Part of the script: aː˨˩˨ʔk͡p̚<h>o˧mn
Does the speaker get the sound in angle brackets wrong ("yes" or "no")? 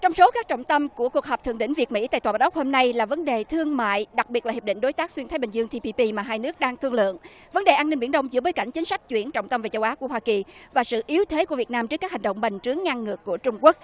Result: no